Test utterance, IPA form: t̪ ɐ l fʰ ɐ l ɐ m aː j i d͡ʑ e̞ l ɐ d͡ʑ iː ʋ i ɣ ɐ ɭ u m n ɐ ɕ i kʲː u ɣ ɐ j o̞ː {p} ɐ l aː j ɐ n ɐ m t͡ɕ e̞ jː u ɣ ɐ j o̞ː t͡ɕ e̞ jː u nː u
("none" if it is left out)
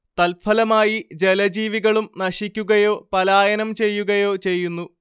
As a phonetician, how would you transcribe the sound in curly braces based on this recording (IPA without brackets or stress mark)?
p